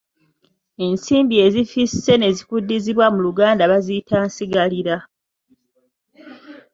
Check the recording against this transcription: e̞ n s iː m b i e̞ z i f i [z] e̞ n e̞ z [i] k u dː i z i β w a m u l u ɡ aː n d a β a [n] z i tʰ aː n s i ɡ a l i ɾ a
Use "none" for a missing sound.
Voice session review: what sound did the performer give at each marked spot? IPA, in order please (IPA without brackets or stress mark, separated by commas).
s, i, none